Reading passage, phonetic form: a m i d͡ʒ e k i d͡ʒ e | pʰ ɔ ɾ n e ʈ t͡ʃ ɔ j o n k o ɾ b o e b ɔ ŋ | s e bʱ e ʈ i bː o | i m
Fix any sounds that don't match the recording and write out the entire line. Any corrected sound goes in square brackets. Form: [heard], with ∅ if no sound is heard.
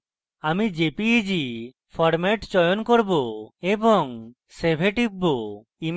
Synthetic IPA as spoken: a m i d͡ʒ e [p] i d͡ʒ [i] | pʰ ɔ ɾ [m] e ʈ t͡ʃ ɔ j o n k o ɾ b o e b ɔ ŋ | s e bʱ e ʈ i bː o | i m